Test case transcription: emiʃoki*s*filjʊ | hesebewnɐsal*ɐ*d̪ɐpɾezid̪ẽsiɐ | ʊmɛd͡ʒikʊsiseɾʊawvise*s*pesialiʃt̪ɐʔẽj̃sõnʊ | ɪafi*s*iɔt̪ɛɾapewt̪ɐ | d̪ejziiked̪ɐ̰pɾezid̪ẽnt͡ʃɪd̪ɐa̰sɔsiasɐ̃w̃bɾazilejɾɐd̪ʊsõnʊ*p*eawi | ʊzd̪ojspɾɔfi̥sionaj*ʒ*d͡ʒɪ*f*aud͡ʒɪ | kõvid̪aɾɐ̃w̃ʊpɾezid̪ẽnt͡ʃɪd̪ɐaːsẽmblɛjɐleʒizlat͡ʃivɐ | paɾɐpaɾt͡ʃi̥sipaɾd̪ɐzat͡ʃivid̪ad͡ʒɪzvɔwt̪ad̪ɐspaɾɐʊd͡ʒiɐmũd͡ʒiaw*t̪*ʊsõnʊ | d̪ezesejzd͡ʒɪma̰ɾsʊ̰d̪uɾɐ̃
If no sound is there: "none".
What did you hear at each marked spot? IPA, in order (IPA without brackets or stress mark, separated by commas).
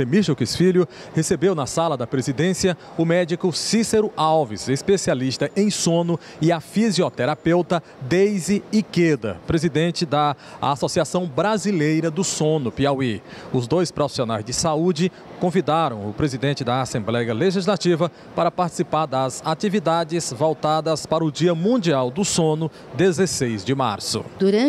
s, ɐ, s, z, p, z, s, d̪